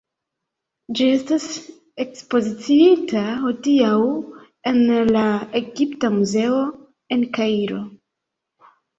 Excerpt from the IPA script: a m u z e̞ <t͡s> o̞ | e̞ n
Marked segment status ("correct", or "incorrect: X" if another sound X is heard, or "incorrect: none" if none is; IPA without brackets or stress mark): incorrect: none